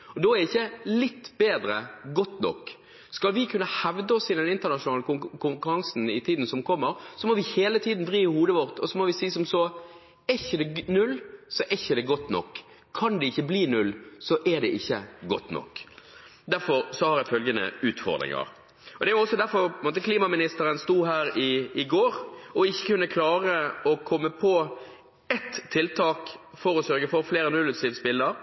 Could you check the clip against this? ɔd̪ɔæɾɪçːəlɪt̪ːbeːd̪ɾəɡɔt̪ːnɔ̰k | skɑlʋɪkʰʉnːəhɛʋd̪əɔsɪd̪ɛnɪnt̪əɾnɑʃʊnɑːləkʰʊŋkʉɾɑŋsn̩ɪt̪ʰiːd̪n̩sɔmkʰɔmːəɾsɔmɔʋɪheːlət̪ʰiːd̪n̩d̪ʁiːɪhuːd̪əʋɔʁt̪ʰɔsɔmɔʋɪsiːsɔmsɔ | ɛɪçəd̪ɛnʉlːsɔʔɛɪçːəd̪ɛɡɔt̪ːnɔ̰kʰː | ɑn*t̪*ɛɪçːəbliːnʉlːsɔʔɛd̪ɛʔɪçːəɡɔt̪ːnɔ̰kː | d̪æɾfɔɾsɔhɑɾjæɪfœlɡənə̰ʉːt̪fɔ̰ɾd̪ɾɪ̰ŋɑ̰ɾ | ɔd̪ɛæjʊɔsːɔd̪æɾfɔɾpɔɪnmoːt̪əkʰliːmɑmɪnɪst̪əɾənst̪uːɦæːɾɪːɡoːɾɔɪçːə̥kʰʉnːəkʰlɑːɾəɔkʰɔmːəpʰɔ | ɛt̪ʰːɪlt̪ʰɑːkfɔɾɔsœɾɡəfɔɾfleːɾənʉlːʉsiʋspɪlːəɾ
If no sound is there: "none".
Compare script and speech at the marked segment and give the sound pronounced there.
d̪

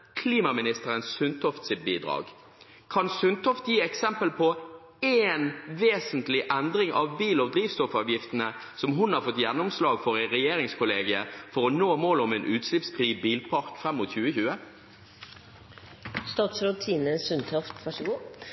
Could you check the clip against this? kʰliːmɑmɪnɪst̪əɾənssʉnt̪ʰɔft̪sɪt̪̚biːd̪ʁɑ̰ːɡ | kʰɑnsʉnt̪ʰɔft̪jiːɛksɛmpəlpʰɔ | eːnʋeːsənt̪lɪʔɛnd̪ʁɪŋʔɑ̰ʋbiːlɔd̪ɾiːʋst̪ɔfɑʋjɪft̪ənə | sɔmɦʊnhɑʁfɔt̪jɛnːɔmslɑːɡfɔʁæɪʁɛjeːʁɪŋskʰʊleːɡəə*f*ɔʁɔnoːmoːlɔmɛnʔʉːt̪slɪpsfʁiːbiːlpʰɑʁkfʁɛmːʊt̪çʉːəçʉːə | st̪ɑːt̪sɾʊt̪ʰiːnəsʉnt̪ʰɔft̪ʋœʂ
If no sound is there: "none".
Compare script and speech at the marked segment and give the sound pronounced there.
f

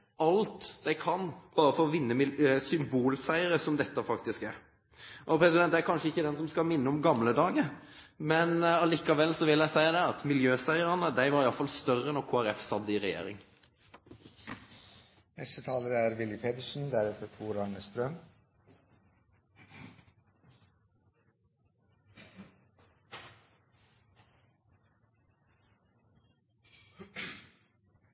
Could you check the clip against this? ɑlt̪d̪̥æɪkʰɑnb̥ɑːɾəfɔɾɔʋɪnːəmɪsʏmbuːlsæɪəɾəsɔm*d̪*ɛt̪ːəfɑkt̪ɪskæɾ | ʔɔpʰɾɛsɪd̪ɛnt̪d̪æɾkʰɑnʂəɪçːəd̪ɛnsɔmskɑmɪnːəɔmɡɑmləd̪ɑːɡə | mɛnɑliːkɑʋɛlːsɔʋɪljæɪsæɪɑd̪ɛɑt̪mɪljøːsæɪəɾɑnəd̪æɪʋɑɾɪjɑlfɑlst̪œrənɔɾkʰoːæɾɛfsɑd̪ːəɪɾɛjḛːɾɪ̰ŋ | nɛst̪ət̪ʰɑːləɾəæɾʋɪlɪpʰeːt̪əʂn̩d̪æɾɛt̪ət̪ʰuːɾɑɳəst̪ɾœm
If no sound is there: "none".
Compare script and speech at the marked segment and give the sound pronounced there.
d̪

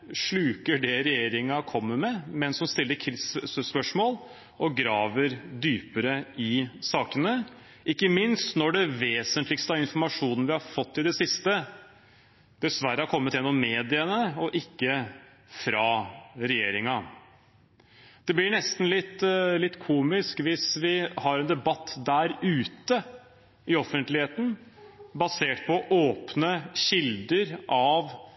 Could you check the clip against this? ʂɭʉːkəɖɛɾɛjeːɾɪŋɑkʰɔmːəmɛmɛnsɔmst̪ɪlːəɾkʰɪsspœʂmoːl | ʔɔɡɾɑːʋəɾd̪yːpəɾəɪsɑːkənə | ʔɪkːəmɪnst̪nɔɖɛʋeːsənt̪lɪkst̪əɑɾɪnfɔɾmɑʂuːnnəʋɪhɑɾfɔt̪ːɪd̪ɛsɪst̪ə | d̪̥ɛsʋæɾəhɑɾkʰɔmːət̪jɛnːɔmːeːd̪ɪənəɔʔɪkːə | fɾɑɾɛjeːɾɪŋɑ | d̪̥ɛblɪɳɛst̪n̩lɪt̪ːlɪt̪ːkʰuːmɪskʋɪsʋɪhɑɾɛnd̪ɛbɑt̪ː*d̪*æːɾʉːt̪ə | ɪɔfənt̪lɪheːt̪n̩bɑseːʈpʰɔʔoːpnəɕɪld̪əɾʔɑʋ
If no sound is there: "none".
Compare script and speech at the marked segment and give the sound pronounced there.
d̪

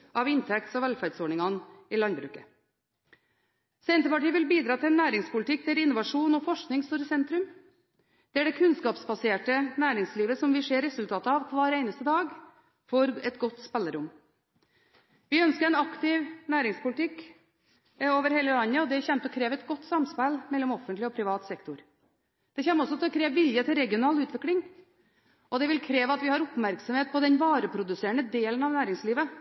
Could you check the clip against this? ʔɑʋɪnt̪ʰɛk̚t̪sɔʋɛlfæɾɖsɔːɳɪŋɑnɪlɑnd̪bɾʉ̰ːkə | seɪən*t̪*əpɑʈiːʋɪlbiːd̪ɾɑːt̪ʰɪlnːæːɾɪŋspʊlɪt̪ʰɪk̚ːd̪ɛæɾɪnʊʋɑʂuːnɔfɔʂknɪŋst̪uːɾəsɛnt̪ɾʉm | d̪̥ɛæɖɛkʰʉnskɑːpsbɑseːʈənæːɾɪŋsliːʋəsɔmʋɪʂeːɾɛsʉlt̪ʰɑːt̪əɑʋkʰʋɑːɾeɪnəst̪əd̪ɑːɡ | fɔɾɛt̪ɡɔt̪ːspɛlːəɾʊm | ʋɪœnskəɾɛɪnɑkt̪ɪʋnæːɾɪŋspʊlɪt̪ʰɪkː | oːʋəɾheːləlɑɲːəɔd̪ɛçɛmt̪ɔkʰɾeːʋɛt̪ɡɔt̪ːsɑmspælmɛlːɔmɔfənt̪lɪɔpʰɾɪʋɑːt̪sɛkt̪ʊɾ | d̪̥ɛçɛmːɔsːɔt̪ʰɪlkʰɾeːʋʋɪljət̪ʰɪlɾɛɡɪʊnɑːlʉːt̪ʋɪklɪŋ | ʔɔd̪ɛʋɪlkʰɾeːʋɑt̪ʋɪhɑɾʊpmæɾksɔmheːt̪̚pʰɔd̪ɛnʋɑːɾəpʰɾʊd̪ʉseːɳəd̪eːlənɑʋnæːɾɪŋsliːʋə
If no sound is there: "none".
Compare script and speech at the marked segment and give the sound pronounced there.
t̪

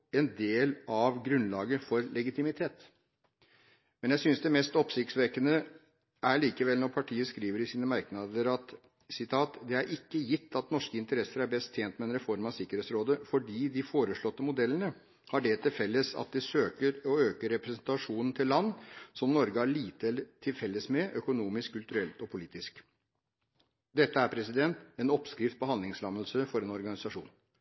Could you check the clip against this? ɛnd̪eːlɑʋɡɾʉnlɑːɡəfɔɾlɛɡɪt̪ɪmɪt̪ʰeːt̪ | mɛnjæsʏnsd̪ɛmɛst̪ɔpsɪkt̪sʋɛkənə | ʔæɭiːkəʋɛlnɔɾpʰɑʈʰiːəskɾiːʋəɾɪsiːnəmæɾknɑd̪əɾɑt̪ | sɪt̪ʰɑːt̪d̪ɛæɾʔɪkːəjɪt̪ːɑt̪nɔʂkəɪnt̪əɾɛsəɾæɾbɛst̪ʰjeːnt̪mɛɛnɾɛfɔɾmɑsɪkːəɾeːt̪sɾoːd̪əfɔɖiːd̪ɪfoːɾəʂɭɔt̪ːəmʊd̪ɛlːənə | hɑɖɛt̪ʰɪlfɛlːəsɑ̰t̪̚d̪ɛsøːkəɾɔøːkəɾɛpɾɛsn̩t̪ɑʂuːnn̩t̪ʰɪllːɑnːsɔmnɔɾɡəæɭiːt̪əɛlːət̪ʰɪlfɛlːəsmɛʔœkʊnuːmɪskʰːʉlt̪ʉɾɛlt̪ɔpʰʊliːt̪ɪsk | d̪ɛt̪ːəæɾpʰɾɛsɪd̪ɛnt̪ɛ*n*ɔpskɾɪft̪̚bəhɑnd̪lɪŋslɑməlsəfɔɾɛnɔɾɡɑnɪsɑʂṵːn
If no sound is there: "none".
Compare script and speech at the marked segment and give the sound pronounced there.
n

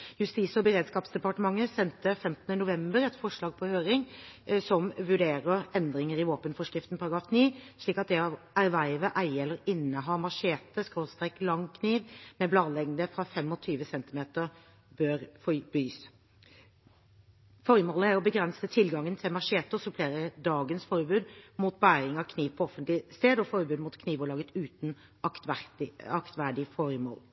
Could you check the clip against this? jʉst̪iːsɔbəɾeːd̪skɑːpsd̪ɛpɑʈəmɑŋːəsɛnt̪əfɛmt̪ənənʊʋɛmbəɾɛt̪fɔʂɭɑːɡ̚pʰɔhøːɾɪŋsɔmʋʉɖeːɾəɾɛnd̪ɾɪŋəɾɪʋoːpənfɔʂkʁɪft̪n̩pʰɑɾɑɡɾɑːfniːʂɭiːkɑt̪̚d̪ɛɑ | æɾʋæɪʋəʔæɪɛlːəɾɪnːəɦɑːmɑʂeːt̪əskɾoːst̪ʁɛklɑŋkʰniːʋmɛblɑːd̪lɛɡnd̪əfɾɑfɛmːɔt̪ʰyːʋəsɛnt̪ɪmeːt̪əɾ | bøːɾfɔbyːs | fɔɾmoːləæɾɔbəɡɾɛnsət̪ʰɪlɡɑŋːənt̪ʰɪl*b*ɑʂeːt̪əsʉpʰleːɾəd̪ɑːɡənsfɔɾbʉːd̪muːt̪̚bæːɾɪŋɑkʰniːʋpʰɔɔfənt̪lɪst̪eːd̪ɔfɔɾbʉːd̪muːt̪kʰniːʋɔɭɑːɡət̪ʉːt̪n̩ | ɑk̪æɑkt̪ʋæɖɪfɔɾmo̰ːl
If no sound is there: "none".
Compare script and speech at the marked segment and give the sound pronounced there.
m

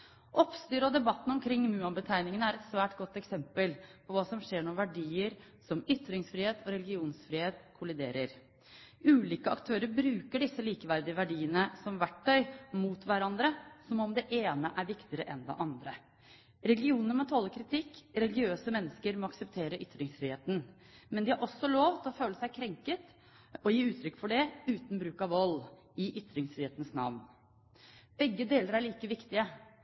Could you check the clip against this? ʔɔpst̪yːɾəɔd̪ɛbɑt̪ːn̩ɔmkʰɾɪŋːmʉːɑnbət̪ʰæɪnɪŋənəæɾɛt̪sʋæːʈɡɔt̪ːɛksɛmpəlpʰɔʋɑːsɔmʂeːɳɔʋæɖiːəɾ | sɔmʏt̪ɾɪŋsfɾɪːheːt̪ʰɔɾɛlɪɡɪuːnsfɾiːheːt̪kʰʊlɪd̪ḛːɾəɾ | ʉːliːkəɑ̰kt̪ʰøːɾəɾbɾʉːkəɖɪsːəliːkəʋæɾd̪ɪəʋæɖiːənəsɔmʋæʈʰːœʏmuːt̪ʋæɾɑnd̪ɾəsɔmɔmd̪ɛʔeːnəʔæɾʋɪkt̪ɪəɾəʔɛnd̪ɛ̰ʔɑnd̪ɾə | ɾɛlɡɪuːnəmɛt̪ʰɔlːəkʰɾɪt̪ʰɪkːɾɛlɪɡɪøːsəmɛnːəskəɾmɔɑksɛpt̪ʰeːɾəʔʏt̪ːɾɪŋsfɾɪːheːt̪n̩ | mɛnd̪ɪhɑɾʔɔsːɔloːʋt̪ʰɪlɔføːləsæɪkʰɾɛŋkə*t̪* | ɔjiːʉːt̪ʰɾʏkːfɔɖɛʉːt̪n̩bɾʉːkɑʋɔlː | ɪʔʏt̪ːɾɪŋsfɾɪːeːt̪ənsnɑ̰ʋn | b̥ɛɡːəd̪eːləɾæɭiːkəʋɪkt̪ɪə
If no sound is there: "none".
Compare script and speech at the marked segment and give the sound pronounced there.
t̪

